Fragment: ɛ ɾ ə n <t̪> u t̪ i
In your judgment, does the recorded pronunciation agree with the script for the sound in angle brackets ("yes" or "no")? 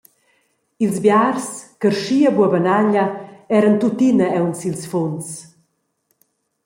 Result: yes